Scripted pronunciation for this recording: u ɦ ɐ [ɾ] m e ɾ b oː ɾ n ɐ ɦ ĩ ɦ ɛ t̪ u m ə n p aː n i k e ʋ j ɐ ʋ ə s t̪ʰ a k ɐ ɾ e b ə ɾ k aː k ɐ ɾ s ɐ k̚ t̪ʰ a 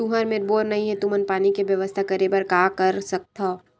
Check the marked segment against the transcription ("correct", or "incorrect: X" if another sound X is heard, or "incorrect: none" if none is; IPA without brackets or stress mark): correct